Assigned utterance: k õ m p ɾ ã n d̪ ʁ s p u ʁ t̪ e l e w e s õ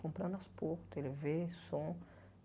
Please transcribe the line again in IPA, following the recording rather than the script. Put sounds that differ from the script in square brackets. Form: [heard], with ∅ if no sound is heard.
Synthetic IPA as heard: k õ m p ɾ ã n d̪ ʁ s p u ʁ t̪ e l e [v] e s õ